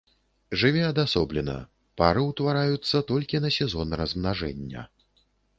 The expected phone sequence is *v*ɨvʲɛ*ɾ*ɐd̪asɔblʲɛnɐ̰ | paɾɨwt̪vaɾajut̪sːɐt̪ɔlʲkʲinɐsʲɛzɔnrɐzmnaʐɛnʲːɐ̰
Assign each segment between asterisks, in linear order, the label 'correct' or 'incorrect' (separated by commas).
incorrect, incorrect